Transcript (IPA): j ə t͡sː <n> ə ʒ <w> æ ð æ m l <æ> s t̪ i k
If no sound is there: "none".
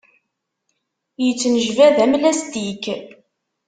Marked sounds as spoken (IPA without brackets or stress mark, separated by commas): n, v, æ